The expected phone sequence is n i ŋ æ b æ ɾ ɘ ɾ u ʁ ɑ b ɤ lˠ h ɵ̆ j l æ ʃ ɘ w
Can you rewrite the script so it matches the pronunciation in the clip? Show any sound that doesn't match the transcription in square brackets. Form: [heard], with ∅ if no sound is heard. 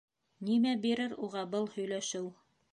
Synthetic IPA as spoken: n i [m] æ b [i] ɾ ɘ ɾ u ʁ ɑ b ɤ lˠ h ɵ̆ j l æ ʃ ɘ w